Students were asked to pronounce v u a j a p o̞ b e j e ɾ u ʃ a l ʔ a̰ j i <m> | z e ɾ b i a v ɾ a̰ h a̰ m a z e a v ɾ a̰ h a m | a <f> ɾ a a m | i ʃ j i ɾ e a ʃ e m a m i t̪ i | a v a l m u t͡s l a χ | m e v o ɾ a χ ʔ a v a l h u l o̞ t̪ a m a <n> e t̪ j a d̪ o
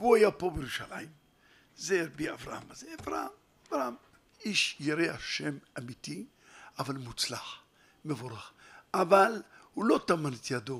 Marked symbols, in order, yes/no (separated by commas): yes, no, yes